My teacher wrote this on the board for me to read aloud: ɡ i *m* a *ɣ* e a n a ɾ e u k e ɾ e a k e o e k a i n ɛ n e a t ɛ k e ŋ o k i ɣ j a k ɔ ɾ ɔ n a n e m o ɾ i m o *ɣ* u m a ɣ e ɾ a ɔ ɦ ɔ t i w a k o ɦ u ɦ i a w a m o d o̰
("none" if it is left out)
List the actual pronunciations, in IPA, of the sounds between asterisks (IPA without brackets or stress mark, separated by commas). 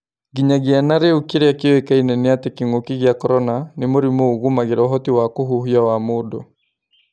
ɲ, ɣ, ɣ